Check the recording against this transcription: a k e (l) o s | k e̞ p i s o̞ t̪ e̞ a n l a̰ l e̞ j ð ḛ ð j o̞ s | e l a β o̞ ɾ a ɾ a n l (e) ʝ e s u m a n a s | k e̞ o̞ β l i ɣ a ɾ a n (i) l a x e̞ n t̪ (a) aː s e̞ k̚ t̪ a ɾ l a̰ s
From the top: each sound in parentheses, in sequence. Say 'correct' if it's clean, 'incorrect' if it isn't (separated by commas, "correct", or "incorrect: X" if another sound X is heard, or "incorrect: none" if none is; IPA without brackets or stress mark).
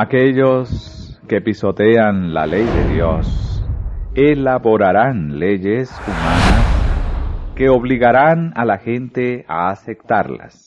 incorrect: ʎ, correct, incorrect: a, incorrect: e